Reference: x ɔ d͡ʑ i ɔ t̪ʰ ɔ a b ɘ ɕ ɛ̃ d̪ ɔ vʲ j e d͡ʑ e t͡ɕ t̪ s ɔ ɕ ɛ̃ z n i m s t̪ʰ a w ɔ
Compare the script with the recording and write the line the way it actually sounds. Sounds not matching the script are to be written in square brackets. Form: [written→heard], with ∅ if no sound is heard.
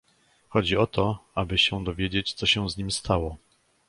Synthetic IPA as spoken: x ɔ d͡ʑ i ɔ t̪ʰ ɔ a b ɘ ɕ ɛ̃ d̪ ɔ vʲ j e d͡ʑ e t͡ɕ t̪ s ɔ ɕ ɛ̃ z [n→ɲ] i m s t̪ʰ a w ɔ

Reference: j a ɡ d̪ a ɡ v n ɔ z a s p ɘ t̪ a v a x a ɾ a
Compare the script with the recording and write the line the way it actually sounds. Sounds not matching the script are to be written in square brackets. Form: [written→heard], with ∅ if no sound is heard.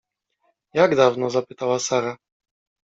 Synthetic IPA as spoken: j a ɡ d̪ a [ɡ→∅] v n ɔ z a [s→∅] p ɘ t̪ a [v→w] a [x→s] a ɾ a

